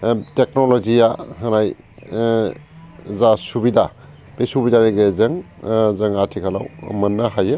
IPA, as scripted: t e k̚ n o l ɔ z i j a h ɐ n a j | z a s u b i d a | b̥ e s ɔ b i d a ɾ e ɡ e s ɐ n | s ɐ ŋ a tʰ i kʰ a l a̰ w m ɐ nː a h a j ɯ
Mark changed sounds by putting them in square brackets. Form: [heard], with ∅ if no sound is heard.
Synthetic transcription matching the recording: t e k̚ n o l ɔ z i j a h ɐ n a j | z a s u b i d a | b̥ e s [u] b i d a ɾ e ɡ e [z] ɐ [ŋ] | [z] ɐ ŋ a tʰ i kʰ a l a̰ w m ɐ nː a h a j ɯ